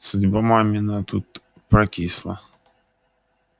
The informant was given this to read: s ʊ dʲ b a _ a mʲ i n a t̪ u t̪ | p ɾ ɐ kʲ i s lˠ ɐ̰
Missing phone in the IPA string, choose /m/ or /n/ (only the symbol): m